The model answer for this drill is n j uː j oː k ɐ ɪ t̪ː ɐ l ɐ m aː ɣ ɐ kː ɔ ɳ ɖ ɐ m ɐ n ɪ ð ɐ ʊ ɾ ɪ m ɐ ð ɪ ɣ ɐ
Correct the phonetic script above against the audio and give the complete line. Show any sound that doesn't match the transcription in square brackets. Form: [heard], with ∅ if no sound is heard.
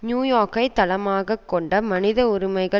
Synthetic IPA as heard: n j uː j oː k ɐ ɪ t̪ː ɐ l ɐ m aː ɣ ɐ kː ɔ ɳ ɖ ɐ m ɐ n ɪ ð ɐ ʊ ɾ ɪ m ɐ [∅] ɪ ɣ ɐ